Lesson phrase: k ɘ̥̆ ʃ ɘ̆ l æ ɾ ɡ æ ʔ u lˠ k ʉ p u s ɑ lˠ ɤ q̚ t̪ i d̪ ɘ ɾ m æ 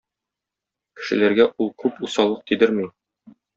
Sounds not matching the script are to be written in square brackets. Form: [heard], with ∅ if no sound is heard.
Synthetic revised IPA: k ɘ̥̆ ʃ ɘ̆ l æ ɾ ɡ æ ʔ u lˠ k ʉ p u s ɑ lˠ ɤ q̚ t̪ i d̪ ɘ ɾ m [i]